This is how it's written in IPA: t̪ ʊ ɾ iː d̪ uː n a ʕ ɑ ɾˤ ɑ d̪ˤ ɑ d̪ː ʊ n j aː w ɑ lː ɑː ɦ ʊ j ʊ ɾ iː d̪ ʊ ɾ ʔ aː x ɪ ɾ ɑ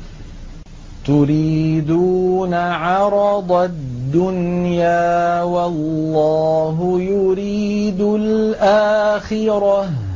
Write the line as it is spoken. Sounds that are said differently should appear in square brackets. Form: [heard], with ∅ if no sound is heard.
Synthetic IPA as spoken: t̪ ʊ ɾ iː d̪ uː n a ʕ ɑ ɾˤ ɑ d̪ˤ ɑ d̪ː ʊ n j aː w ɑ lː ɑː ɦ ʊ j ʊ ɾ iː d̪ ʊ [l] ʔ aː x ɪ ɾ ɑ